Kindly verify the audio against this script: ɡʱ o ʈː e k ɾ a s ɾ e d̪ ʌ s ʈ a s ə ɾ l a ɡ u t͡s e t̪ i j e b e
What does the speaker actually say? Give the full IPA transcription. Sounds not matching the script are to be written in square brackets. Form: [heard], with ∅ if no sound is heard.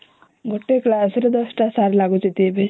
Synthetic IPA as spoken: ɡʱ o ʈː e k [l] a s ɾ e d̪ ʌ s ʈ a s [a] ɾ l a ɡ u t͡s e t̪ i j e b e